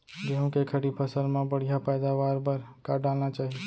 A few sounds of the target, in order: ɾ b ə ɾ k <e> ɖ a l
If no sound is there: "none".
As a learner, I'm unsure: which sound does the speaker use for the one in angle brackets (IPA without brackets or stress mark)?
a